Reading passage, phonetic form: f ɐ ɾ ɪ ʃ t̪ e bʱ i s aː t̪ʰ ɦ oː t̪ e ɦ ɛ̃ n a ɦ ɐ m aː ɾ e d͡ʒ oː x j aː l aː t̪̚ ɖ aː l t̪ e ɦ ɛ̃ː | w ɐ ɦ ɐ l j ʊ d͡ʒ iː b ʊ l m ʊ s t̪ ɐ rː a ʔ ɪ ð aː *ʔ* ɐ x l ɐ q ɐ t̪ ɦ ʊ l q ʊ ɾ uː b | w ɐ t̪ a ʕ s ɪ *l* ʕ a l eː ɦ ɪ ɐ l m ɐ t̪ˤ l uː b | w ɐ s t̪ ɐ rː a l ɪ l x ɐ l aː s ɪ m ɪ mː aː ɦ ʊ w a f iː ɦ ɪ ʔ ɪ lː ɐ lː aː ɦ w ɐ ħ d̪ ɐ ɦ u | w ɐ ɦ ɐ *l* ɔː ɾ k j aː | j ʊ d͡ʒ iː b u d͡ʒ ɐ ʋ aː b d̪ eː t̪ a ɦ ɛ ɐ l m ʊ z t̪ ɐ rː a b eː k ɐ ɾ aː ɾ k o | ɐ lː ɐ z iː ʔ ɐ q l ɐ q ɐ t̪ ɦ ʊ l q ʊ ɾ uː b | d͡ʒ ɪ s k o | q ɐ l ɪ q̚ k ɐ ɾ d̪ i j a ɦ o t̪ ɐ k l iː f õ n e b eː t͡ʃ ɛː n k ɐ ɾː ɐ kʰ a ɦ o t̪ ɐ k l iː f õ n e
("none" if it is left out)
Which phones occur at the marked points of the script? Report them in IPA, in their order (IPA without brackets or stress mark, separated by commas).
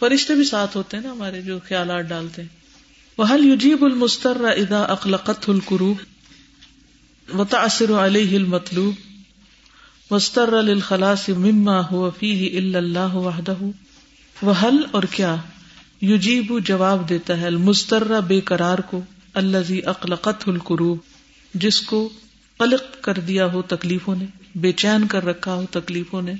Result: ʔ, ɾ, l